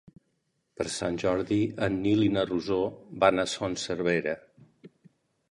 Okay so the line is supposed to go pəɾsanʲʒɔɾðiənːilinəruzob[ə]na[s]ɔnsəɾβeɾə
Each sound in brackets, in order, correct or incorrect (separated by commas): incorrect, correct